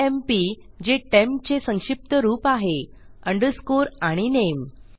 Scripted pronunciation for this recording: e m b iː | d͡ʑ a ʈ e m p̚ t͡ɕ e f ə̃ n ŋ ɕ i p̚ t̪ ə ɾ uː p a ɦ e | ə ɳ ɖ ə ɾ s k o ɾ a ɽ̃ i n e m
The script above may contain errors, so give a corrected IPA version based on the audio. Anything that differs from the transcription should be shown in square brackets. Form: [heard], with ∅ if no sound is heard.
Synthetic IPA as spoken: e m [p] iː | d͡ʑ [e] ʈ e m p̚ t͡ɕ e [s] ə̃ [∅] ŋ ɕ i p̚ t̪ ə ɾ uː p a ɦ e | ə ɳ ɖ ə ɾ s k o ɾ a ɽ̃ i n e m